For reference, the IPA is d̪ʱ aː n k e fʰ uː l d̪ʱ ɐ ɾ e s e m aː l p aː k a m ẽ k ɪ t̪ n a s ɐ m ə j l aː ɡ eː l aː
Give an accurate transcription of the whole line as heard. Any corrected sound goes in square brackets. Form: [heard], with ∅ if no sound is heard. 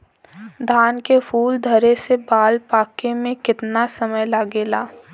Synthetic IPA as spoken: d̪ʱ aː n k e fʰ uː l d̪ʱ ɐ ɾ e s e [b] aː l p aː k [e] m ẽ k ɪ t̪ n a s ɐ m ə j l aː ɡ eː l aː